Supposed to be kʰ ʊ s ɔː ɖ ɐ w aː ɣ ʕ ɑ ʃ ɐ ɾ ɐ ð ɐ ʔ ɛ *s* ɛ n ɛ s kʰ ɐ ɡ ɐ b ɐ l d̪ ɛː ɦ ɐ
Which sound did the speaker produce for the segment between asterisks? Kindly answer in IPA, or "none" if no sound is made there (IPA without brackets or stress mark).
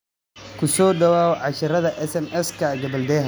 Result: s